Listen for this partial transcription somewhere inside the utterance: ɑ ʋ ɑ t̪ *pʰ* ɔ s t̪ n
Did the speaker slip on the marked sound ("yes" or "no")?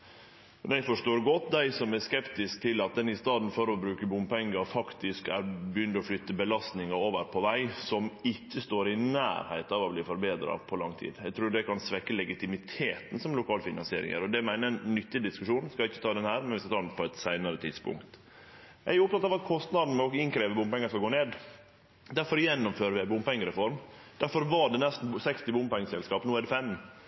yes